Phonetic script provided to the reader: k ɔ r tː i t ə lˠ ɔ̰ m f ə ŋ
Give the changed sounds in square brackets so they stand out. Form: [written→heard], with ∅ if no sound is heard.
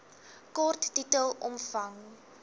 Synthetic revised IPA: k ɔ r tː i t ə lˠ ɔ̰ m f [ə→ɐ] ŋ